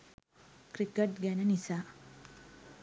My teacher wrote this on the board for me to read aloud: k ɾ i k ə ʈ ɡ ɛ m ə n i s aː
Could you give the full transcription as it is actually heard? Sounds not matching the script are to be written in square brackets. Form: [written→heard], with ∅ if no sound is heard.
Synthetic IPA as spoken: k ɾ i k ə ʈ ɡ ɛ [m→n] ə n i s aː